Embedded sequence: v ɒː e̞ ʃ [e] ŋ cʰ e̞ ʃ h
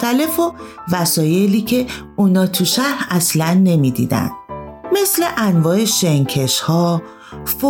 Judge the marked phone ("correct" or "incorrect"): correct